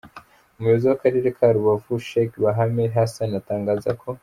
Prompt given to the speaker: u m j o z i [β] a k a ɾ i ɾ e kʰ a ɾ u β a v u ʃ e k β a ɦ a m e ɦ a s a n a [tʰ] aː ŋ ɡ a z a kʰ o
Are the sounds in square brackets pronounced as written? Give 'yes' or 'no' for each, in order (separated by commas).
no, no